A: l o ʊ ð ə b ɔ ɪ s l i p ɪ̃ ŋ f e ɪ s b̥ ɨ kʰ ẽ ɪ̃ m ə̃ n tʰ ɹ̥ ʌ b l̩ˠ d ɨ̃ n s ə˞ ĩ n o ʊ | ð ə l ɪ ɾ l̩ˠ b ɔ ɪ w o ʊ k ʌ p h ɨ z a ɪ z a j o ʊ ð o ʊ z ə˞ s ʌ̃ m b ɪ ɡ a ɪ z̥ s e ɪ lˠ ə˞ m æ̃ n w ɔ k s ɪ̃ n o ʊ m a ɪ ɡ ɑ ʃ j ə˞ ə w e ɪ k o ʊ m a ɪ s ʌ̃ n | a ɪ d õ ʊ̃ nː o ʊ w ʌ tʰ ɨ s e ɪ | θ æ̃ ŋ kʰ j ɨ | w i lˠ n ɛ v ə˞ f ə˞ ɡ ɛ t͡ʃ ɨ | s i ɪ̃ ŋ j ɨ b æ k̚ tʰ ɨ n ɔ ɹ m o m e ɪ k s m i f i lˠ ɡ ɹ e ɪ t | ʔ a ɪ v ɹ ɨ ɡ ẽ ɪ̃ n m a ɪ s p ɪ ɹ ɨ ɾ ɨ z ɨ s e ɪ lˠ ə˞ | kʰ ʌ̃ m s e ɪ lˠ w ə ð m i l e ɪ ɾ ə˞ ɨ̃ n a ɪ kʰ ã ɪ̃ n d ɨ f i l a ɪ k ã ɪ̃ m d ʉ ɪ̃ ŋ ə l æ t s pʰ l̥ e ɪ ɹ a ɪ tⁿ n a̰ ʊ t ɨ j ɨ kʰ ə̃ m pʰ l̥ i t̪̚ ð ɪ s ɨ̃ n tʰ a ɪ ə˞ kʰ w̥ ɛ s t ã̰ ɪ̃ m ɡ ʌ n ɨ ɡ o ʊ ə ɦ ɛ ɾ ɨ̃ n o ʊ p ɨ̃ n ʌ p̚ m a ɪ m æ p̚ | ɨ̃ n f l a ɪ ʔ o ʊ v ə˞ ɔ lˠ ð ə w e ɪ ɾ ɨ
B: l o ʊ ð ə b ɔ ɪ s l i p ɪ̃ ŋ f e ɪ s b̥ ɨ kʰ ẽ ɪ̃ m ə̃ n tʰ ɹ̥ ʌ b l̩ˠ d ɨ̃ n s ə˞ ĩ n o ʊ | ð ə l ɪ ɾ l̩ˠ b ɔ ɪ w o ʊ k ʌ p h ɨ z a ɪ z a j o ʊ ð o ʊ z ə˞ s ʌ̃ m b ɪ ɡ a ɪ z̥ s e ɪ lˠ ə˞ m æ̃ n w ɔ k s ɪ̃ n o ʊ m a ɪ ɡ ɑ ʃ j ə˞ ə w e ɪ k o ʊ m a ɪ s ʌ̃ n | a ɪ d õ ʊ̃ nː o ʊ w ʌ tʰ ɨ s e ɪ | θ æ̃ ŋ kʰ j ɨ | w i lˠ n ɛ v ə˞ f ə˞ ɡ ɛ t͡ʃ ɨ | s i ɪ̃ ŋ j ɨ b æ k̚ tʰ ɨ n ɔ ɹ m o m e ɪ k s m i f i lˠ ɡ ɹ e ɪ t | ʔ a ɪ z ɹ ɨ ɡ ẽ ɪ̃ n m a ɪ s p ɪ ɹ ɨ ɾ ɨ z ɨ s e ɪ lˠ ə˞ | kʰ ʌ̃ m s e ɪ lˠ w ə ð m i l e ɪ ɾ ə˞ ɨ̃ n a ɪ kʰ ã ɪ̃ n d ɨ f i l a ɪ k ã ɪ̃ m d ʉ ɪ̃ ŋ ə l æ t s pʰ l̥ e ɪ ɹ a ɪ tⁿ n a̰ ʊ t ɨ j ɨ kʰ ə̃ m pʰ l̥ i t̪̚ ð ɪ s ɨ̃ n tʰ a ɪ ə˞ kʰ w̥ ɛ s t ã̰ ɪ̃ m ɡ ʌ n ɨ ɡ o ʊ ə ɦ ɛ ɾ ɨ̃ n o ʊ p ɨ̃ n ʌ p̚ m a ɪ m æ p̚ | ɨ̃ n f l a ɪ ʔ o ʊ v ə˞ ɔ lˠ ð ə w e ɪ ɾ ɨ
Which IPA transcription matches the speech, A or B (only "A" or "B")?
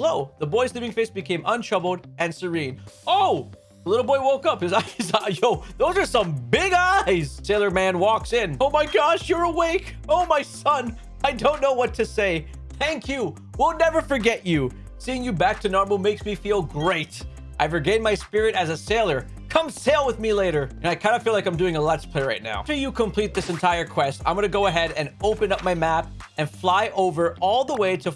A